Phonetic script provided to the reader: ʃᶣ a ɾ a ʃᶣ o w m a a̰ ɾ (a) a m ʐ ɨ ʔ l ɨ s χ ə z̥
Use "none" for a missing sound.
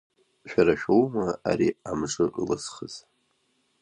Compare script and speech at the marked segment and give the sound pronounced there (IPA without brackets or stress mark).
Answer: i